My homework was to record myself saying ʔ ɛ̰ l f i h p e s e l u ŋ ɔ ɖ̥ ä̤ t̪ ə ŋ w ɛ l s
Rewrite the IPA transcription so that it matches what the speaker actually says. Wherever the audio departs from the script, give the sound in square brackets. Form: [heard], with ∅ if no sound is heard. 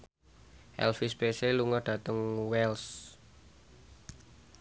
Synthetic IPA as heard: ʔ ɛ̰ l f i [s] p e s e l u ŋ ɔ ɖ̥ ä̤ t̪ ə ŋ w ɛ l s